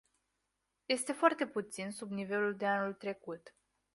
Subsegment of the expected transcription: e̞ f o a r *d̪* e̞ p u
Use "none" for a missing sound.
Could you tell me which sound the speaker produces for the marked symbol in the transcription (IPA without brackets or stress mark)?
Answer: t̪